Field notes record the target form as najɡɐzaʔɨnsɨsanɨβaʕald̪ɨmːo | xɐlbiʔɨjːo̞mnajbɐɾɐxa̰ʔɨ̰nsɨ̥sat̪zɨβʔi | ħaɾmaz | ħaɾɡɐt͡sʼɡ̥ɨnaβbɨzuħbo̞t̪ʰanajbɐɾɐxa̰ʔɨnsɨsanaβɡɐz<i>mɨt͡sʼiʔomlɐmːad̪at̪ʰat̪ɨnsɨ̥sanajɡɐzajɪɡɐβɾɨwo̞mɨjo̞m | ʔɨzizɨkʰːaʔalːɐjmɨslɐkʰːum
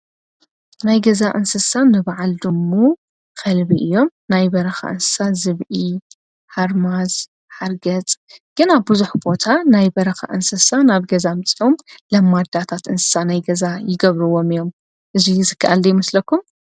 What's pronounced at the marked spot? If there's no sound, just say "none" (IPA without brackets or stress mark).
a